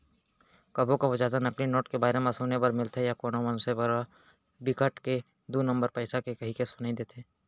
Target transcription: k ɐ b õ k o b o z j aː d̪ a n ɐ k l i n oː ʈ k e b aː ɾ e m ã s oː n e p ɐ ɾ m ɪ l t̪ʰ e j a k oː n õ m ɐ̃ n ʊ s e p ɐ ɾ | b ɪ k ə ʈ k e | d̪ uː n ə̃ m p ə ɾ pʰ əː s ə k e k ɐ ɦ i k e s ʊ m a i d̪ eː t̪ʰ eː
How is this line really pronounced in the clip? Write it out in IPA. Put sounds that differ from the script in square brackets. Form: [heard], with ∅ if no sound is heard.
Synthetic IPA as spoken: k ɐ b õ k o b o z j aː d̪ a n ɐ k l i n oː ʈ k e b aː ɾ e m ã s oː n e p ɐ ɾ m ɪ l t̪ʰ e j a k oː n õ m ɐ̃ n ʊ s e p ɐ ɾ | b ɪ k ə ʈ k e | d̪ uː n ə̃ m [b] ə ɾ [p] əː s [a] k e k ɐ ɦ i k e s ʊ [n] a i d̪ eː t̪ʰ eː